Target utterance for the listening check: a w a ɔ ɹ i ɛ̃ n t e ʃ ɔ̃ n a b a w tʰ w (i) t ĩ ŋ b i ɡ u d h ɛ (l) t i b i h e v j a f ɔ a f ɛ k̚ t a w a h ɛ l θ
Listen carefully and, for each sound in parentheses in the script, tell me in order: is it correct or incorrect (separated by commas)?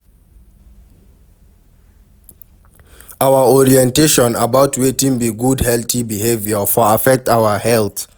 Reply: incorrect, correct